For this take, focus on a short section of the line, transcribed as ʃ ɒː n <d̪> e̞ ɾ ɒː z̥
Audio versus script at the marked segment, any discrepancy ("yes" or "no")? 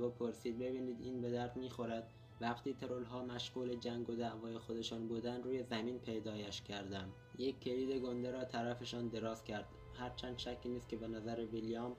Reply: no